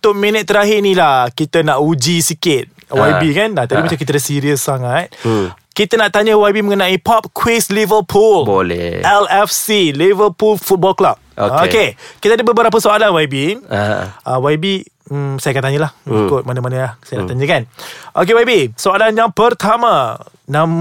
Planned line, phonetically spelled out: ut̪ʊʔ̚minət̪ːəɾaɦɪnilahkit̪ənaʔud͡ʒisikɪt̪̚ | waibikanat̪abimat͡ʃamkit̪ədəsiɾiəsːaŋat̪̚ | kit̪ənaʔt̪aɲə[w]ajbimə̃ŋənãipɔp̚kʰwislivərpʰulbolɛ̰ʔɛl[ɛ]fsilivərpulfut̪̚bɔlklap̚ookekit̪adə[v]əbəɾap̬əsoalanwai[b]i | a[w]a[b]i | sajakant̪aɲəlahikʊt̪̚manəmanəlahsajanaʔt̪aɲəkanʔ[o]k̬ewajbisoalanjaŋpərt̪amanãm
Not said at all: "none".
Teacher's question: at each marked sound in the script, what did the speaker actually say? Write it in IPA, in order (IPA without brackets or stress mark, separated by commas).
w, ɛ, b, b, w, b, o